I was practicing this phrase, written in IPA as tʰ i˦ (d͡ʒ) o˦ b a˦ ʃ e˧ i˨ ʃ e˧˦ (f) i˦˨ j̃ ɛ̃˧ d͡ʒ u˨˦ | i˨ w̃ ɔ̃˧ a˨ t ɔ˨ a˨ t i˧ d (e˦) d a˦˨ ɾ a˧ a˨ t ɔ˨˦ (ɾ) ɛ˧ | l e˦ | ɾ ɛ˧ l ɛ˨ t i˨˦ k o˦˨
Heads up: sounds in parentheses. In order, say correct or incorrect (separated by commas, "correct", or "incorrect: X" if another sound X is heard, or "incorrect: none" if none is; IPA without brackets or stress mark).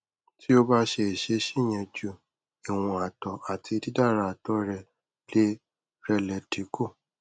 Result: incorrect: none, incorrect: ʃ, incorrect: i˦, correct